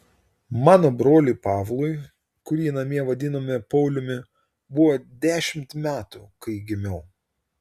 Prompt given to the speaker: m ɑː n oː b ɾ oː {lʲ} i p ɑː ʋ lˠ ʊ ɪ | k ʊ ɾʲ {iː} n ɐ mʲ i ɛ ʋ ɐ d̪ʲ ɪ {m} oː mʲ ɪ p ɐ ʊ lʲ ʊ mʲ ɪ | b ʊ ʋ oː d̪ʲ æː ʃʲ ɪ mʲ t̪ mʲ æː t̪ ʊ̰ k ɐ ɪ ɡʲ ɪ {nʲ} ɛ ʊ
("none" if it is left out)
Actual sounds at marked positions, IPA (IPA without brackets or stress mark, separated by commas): lʲ, iː, n, mʲ